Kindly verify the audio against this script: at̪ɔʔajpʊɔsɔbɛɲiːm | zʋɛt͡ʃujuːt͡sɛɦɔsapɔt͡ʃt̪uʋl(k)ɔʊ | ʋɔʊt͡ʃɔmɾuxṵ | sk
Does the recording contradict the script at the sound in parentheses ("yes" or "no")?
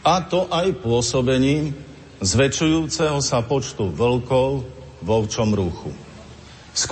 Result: no